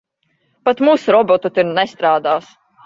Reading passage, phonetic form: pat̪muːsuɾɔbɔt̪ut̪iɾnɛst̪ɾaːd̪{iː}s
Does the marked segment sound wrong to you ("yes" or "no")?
yes